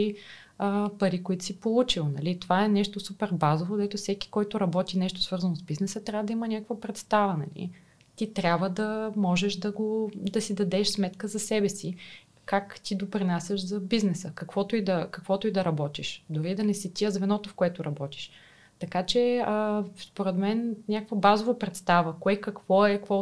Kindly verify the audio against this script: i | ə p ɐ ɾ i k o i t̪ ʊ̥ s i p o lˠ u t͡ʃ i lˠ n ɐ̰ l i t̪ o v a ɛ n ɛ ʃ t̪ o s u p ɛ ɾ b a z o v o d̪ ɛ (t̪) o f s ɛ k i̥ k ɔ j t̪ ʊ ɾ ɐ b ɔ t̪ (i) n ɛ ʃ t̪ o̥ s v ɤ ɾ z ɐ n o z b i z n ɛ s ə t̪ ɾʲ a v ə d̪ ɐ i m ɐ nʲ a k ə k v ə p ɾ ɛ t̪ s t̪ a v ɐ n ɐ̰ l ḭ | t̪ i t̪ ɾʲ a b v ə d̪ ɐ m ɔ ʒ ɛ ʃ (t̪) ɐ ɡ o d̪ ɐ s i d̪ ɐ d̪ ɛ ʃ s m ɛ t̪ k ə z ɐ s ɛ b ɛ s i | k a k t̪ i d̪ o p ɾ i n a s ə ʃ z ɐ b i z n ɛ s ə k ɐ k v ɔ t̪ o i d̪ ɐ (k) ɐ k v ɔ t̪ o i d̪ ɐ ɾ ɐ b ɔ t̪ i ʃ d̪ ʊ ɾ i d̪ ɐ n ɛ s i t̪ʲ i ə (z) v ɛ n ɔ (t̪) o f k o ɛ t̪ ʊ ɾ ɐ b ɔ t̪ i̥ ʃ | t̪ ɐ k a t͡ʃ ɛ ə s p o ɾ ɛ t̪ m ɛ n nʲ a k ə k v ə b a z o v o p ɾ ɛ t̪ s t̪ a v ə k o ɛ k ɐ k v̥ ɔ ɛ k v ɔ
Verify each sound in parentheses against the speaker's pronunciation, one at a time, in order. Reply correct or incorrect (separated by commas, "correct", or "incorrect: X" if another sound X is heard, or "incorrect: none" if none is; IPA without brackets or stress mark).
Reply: correct, correct, incorrect: d̪, correct, correct, correct